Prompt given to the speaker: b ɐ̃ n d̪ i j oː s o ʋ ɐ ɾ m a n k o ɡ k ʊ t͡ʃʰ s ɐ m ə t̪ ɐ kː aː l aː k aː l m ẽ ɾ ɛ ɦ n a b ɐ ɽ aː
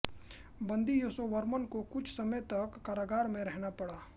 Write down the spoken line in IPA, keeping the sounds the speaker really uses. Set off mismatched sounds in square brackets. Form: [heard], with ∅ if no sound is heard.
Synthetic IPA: b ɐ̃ n d̪ i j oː s o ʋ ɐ ɾ m [ə] n k o [∅] k ʊ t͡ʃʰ s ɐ m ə t̪ ɐ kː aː [ɾ] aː [ɡ] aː [ɾ] m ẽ ɾ ɛ ɦ n a [p] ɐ ɽ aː